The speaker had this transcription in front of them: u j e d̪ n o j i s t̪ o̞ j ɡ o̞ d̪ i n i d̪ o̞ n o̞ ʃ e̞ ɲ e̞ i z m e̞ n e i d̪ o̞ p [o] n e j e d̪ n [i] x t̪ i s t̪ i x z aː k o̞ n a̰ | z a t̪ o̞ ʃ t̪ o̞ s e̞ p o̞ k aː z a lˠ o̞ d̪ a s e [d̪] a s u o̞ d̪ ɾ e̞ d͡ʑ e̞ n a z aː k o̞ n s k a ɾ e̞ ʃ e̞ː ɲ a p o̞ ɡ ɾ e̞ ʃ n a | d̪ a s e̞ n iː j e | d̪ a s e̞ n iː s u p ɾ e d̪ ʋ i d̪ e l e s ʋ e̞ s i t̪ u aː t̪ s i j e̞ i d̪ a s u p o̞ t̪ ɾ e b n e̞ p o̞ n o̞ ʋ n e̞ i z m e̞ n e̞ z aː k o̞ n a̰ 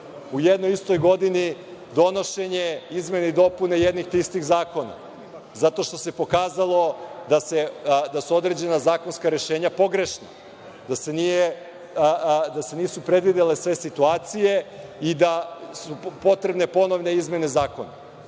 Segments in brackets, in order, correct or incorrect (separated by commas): incorrect, correct, correct